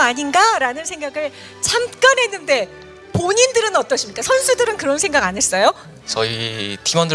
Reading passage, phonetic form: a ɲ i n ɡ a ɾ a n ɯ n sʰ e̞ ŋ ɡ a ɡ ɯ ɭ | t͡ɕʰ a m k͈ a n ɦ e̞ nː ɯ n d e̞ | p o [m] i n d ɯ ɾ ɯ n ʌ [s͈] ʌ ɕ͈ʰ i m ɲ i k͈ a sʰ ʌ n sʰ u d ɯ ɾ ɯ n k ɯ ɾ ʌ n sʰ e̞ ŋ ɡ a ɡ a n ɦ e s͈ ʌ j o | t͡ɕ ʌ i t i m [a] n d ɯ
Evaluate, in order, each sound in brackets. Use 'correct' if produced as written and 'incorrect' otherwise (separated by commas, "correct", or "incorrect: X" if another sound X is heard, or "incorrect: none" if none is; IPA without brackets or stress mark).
incorrect: ɲ, incorrect: t͈, incorrect: ʌ